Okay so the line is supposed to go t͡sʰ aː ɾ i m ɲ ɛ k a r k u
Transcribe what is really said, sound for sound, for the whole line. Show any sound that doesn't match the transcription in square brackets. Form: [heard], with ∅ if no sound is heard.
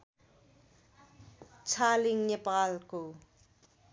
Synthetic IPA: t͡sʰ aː [l] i [ŋ] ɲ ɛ [p] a [l] k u